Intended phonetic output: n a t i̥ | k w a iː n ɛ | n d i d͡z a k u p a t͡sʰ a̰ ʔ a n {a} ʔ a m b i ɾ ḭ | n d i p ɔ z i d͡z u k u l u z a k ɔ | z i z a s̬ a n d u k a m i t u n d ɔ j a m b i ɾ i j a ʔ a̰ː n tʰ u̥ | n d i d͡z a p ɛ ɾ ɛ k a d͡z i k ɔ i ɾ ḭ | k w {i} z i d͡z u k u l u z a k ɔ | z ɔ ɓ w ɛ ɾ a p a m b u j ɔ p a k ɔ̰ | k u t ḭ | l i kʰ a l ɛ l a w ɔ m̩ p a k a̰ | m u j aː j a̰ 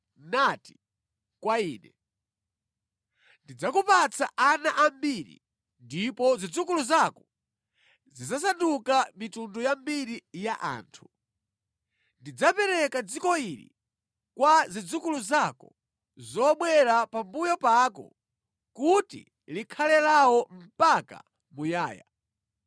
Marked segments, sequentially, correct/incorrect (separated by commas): correct, incorrect